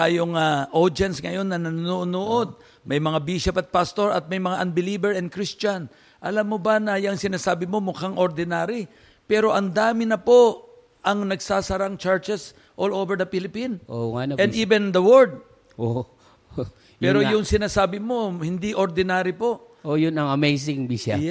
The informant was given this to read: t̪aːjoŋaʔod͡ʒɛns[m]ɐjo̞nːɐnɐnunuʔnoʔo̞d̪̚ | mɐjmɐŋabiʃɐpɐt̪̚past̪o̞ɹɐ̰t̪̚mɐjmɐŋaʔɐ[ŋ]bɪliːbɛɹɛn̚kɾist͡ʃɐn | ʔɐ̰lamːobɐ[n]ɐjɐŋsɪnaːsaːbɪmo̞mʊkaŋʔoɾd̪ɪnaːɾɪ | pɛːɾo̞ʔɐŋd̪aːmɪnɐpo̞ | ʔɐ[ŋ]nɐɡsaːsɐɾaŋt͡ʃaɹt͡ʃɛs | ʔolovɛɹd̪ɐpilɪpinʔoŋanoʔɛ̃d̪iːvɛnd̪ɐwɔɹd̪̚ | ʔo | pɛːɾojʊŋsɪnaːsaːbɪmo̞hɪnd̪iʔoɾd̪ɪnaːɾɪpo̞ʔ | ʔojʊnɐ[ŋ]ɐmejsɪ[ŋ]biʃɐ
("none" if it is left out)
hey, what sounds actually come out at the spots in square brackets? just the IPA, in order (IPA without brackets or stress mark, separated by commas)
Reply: ŋ, n, n, ŋ, ŋ, ŋ